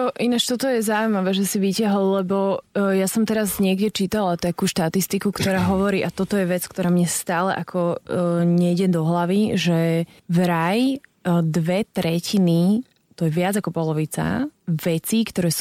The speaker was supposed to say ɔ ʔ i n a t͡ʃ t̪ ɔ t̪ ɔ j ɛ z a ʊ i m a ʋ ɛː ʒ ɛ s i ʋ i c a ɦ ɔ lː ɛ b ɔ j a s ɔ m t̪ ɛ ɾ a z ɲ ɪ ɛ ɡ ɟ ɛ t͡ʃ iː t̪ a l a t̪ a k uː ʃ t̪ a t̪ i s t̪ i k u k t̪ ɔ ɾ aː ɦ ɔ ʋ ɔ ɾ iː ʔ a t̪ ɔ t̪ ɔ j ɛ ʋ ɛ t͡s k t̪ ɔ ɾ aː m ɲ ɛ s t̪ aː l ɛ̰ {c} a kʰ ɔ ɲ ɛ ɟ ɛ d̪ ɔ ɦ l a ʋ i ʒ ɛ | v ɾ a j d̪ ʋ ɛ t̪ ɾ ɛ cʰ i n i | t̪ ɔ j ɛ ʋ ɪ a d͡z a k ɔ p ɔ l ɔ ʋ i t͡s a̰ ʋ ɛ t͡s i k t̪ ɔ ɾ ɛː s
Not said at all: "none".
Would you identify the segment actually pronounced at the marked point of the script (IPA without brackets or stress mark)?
ʔ